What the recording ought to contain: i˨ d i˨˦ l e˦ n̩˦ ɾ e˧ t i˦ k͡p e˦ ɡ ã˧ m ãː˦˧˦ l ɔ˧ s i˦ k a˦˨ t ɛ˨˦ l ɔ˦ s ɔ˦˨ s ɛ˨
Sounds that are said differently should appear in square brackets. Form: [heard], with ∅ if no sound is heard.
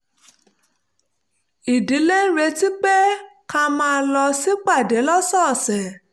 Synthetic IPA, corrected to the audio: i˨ d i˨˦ l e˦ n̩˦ ɾ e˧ t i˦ k͡p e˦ [k] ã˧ m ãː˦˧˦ l ɔ˧ s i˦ [k͡p] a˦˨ [d] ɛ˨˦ l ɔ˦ s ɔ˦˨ s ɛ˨